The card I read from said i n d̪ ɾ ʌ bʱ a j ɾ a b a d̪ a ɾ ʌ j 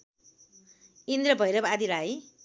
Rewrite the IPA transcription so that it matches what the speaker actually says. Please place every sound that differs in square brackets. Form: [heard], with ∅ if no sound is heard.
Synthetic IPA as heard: i n d̪ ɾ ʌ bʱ [ʌ] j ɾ [ʌ] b a d̪ [i] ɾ [a] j